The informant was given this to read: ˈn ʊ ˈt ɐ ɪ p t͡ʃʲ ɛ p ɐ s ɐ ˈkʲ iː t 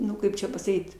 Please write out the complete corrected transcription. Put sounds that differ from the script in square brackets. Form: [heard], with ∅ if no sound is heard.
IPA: ˈn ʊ [ˈk] ɐ ɪ p t͡ʃʲ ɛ p ɐ s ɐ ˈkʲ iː t